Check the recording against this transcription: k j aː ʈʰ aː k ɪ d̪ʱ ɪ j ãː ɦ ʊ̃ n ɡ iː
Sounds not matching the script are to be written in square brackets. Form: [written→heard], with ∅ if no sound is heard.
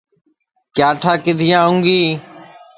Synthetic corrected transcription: k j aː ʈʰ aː k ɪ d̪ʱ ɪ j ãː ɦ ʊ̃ [n→ŋ] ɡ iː